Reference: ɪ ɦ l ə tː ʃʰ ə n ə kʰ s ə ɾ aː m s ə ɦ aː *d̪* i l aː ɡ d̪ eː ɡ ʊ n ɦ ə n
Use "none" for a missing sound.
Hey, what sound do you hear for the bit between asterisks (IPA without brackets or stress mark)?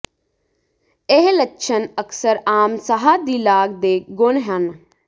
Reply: d̪